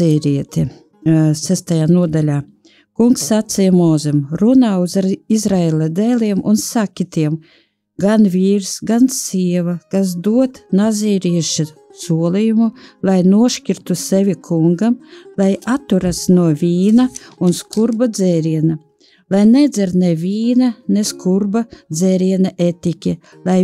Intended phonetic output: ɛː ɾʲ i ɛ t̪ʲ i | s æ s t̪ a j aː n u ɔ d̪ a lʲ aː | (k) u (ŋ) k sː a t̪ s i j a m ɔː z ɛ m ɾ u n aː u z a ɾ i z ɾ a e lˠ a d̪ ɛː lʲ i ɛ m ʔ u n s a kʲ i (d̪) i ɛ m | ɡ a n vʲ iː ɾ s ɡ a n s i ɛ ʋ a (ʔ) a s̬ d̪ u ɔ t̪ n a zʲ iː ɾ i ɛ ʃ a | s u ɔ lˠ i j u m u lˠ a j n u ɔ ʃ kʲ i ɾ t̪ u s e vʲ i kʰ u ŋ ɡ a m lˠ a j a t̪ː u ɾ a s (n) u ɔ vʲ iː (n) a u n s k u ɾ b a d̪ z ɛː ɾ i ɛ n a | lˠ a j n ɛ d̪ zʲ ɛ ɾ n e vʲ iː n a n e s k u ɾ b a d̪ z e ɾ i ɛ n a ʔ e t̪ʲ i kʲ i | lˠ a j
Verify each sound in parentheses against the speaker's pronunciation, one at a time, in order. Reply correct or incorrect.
correct, correct, incorrect, incorrect, correct, correct

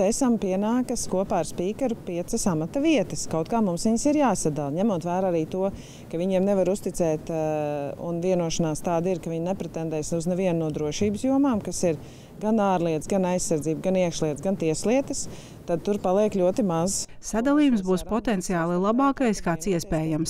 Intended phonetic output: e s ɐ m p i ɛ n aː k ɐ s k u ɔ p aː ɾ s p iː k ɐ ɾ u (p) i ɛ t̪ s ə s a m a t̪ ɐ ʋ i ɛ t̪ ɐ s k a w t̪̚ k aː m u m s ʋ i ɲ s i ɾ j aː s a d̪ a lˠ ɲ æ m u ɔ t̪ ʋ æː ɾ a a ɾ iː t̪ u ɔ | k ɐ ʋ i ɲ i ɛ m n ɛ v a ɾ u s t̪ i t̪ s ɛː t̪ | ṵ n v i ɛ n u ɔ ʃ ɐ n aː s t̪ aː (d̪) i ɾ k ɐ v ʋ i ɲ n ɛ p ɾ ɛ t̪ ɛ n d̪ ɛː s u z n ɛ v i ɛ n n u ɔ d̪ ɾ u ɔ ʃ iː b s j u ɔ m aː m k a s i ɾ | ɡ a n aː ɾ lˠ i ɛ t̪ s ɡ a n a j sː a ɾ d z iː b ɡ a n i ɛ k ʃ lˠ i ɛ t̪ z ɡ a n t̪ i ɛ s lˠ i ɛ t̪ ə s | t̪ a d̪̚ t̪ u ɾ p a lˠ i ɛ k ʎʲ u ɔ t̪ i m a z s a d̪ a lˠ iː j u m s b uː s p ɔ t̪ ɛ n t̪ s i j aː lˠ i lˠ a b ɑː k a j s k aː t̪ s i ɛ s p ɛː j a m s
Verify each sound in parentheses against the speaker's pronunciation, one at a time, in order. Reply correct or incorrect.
correct, correct

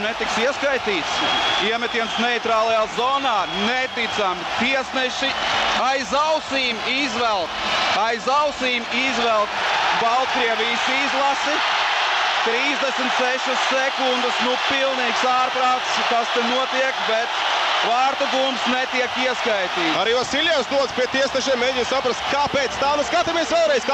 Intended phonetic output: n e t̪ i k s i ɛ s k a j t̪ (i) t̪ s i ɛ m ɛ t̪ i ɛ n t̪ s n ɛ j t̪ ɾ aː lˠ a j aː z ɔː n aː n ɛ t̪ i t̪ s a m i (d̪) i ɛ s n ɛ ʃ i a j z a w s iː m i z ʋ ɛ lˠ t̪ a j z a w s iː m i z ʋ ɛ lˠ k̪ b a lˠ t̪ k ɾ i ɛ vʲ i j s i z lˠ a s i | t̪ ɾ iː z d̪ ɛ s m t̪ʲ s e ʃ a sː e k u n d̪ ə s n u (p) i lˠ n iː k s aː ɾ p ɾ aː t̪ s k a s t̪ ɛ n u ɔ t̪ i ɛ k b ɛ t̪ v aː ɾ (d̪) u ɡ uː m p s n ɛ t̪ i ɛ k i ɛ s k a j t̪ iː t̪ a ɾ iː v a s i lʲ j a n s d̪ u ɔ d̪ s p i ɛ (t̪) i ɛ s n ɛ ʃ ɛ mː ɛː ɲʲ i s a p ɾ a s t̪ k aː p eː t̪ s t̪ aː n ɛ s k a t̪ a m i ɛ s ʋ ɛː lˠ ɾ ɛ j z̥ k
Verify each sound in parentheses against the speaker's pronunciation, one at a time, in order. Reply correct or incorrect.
incorrect, incorrect, correct, incorrect, correct

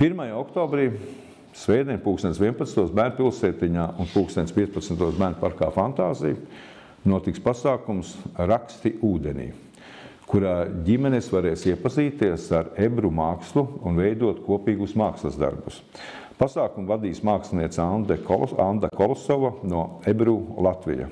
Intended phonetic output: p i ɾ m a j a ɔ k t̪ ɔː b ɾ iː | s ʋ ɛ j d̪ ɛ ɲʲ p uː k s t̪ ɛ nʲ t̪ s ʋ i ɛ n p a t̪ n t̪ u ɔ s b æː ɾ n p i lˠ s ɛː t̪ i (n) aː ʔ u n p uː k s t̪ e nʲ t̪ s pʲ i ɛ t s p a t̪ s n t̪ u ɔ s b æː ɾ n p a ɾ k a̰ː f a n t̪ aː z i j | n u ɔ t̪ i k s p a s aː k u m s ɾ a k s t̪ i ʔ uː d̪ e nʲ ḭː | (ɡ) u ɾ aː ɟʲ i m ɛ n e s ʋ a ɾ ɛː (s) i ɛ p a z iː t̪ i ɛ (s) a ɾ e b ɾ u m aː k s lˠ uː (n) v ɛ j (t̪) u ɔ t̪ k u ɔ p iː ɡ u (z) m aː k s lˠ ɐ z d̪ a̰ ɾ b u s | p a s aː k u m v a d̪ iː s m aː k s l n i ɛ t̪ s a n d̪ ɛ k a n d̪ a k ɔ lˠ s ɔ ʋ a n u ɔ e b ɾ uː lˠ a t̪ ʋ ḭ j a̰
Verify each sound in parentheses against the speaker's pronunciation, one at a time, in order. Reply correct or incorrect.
incorrect, incorrect, correct, correct, correct, incorrect, incorrect

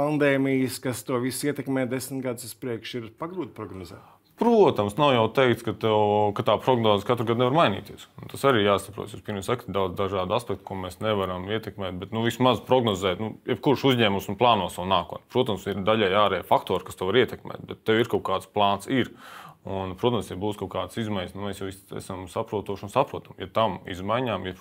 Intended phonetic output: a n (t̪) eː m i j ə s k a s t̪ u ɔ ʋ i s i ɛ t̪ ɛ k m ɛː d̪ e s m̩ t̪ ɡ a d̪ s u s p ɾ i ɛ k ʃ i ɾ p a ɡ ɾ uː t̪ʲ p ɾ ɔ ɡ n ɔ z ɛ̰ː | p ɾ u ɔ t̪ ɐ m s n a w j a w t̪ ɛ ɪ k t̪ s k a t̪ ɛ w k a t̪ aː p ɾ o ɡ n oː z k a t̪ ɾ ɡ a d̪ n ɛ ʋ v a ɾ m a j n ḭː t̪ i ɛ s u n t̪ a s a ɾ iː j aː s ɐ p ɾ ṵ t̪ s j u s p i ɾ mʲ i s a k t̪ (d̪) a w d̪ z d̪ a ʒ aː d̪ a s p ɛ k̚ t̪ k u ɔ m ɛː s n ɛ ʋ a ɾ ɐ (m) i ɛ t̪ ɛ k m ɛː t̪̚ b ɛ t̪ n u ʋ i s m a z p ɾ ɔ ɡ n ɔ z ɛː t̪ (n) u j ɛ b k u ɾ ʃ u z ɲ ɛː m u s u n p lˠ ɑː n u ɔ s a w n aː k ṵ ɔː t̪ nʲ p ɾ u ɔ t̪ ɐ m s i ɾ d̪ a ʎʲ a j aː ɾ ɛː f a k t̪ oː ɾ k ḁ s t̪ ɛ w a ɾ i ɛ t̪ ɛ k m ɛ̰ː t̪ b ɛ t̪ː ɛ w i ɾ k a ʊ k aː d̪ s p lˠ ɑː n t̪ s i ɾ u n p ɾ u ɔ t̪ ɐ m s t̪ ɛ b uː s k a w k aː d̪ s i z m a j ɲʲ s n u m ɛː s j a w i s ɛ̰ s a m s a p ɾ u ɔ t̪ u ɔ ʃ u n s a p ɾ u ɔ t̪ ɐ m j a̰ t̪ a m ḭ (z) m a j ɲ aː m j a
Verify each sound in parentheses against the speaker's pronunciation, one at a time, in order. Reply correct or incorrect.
incorrect, correct, correct, correct, correct

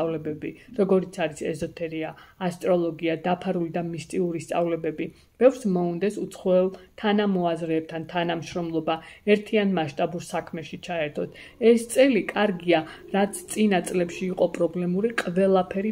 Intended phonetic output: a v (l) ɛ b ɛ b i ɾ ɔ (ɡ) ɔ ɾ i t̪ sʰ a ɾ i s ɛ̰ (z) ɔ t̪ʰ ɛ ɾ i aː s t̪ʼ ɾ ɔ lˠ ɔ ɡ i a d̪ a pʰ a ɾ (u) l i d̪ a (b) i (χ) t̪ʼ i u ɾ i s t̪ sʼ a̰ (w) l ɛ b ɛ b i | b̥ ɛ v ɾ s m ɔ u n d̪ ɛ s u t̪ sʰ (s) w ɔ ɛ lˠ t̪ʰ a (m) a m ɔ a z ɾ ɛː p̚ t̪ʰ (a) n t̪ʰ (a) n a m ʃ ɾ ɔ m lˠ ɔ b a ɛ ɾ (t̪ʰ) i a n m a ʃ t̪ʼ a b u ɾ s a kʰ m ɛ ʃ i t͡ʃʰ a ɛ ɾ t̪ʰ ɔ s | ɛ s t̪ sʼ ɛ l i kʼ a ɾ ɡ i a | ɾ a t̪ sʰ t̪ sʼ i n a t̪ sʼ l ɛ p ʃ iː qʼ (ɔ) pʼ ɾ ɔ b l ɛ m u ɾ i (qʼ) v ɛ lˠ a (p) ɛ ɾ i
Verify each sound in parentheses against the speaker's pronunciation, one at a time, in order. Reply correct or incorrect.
correct, correct, correct, correct, incorrect, incorrect, incorrect, incorrect, incorrect, correct, correct, correct, correct, correct, incorrect

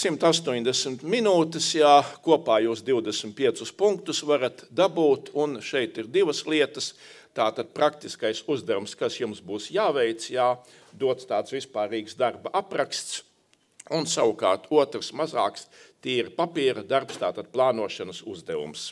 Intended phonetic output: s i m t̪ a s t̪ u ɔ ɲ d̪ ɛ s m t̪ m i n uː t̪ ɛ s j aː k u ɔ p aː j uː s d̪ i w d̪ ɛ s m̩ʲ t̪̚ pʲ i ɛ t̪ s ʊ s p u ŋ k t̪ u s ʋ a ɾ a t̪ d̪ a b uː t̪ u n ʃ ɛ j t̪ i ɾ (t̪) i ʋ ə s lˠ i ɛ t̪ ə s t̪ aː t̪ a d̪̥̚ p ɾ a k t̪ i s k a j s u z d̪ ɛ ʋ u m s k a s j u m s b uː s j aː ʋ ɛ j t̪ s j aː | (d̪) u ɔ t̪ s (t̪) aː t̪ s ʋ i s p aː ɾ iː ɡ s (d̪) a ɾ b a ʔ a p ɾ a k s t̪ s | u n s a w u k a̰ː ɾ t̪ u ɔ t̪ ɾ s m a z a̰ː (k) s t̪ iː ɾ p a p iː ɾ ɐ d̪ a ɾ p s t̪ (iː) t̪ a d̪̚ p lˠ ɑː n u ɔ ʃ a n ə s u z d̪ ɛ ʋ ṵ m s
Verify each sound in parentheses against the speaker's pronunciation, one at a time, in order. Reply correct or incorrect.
incorrect, correct, correct, correct, correct, incorrect

